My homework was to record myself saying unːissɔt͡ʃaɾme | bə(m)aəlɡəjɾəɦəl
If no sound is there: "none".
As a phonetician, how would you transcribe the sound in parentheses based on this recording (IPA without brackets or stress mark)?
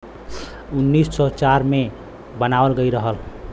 n